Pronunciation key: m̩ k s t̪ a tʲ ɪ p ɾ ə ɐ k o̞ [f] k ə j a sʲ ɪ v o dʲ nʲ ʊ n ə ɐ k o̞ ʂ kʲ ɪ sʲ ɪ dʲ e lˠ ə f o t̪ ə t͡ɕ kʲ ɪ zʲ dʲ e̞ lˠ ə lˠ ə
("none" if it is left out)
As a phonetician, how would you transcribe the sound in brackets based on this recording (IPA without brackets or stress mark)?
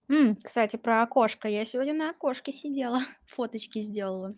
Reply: ʂ